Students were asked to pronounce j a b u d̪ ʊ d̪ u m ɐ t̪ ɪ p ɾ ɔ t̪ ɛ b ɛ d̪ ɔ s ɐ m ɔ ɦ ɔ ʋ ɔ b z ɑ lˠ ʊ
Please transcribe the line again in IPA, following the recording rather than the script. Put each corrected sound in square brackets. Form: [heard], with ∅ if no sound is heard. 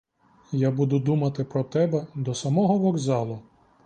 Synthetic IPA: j a b u d̪ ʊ d̪ u m ɐ t̪ ɪ p ɾ ɔ t̪ ɛ b ɛ d̪ ɔ s ɐ m ɔ ɦ ɔ ʋ ɔ [ɡ] z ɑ lˠ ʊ